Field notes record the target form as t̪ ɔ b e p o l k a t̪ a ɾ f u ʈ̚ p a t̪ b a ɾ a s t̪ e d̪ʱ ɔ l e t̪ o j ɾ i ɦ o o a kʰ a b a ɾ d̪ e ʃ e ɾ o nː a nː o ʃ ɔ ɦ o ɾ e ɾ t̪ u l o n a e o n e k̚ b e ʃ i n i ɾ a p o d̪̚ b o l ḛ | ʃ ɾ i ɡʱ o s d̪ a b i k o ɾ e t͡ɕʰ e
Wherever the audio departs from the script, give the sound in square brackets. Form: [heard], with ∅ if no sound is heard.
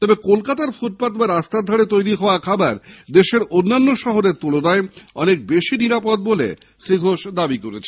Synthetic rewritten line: t̪ ɔ b e [k] o l k a t̪ a ɾ f u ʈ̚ p a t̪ b a ɾ a s t̪ [a] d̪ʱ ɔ [ɽ] e t̪ o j ɾ i ɦ [ɔ] o a kʰ a b a ɾ d̪ e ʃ e ɾ o nː a nː o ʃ ɔ ɦ o ɾ e ɾ t̪ u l o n a e [ɔ] n e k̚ b e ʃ i n i ɾ a p o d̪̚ b o l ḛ | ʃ ɾ i ɡʱ o [ʃ] d̪ a b i k o ɾ e t͡ɕʰ e